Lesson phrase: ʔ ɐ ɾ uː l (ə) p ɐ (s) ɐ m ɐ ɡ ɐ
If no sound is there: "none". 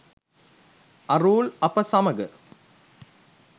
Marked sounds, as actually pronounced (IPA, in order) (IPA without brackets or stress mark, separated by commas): ɐ, s